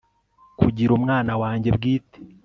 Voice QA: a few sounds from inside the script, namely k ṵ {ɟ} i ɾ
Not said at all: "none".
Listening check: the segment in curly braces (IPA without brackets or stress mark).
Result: ɟ